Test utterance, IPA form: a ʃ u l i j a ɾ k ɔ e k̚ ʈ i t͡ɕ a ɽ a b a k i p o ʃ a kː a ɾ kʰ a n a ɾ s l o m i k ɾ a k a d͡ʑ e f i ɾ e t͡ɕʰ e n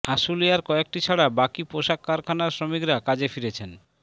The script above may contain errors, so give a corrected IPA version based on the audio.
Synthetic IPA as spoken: a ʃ u l i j a ɾ k ɔ e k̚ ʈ i t͡ɕʰ a ɽ a b a k i p o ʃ a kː a ɾ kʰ a n a ɾ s ɾ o m i k ɾ a k a d͡ʑ e f i ɾ e t͡ɕʰ e n